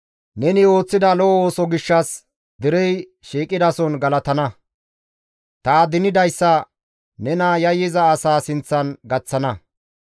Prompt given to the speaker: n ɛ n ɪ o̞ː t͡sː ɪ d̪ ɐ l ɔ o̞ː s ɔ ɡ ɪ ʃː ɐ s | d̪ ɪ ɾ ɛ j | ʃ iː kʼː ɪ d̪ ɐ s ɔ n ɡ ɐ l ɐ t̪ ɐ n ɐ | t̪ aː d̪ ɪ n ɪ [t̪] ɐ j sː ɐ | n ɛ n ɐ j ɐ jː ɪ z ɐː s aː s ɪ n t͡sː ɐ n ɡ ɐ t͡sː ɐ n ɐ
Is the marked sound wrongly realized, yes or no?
yes